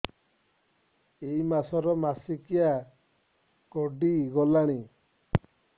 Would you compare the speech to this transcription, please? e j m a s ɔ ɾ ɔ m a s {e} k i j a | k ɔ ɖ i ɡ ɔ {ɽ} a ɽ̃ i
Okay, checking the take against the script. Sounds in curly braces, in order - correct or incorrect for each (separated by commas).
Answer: incorrect, incorrect